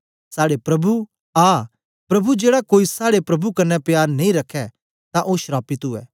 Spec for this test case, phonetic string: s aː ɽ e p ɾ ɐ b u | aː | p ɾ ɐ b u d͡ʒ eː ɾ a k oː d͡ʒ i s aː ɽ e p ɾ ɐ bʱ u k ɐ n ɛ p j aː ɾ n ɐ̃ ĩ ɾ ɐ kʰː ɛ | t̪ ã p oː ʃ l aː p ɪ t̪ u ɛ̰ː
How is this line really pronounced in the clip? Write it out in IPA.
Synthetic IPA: s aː ɽ e p ɾ ɐ b u | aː | p ɾ ɐ b u d͡ʒ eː ɽ a k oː i s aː ɽ e p ɾ ɐ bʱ u k ɐ n ɛ p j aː ɾ n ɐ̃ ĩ ɾ ɐ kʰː ɛ | t̪ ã ʔ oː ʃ ɾ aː p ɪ t̪ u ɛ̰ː